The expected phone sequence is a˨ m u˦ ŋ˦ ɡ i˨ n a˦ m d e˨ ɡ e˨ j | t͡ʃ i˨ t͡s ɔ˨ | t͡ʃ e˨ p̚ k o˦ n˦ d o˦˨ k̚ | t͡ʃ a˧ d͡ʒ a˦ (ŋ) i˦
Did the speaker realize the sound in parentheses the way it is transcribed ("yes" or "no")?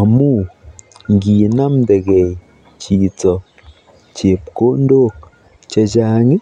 yes